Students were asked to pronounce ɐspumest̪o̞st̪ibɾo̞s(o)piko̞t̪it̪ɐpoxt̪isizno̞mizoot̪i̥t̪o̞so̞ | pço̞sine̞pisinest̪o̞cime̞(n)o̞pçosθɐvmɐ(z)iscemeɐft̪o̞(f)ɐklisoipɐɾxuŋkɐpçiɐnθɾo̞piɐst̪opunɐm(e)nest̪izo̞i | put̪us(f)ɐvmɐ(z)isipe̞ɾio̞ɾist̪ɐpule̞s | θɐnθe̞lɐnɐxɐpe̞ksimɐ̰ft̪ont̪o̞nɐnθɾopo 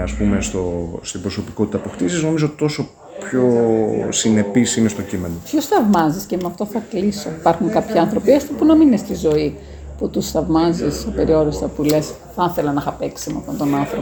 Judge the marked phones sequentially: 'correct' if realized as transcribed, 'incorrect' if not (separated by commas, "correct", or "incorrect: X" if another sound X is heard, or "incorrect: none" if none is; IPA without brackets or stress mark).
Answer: correct, correct, correct, incorrect: θ, incorrect: i, incorrect: θ, correct